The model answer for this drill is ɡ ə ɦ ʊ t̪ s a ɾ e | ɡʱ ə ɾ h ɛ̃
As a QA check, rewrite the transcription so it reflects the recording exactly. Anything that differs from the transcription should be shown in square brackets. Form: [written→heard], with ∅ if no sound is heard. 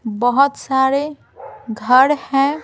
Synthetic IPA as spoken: [ɡ→b] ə ɦ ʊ t̪ s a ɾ e | ɡʱ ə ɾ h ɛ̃